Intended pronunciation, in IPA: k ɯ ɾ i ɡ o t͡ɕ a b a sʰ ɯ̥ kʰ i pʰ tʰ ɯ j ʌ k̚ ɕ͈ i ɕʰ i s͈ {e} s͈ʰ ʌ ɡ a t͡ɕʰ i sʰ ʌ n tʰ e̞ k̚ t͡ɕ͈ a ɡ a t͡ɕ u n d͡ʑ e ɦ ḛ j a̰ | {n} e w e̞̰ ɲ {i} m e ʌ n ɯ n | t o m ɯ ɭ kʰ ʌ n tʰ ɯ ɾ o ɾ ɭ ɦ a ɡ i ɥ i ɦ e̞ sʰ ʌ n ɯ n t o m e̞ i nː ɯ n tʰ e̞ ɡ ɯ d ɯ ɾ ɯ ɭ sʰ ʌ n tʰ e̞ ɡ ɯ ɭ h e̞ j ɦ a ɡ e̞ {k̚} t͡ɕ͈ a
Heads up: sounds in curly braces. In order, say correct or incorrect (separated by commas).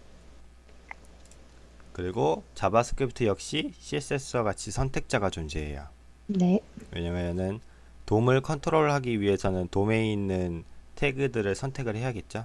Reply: correct, correct, incorrect, incorrect